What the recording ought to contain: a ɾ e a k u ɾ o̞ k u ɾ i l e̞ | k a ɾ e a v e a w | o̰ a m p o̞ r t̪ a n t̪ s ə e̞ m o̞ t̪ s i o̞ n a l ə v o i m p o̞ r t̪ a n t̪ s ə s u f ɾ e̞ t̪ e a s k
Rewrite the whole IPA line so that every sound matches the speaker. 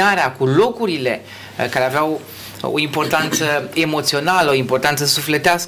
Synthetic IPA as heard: a ɾ e a k u l o̞ k u ɾ i l e̞ | k a ɾ e a v e a w | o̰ i m p o̞ r t̪ a n t̪ s ə e̞ m o̞ t̪ s i o̞ n a l ə o i m p o̞ r t̪ a n t̪ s ə s u f l e̞ t̪ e a s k